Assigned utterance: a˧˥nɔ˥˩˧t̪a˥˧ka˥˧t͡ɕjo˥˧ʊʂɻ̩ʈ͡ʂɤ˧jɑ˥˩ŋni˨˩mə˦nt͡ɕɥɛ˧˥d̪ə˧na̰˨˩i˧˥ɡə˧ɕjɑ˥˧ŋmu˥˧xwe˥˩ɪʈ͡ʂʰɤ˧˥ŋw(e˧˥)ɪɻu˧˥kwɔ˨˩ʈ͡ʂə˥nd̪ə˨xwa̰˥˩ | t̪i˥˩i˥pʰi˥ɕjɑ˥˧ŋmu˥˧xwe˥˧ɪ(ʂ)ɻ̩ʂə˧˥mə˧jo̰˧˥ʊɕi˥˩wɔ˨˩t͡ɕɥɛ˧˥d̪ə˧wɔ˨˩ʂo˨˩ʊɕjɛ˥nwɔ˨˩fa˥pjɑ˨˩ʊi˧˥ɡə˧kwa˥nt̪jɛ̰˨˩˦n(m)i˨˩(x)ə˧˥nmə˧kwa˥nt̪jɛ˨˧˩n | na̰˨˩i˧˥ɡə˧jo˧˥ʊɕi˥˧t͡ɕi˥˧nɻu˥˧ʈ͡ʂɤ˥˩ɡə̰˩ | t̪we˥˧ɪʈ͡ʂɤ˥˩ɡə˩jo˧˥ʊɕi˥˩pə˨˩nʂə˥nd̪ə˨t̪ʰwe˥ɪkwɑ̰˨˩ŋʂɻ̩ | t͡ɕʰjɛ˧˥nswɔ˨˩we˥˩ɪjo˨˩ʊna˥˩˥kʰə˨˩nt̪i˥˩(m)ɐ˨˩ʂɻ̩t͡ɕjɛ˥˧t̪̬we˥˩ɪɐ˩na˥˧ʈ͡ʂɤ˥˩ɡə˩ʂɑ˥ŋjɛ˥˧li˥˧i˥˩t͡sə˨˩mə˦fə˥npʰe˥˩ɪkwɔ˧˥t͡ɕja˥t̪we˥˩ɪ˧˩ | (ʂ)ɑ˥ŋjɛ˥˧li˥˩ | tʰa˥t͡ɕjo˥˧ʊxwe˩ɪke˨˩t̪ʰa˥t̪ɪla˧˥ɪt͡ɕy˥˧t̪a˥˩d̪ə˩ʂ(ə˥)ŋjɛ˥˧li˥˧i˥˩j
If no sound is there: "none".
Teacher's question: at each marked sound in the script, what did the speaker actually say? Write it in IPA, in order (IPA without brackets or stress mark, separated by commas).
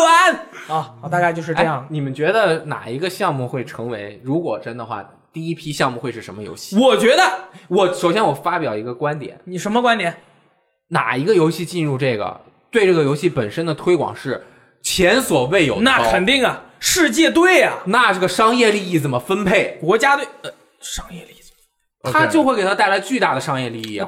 e˧˥, ʂ, n, ʂ, ŋ, ʂ, ɑ˥